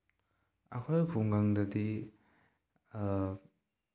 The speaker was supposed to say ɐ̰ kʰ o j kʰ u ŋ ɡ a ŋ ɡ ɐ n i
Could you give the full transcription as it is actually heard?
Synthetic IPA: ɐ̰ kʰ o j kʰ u ŋ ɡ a ŋ d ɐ d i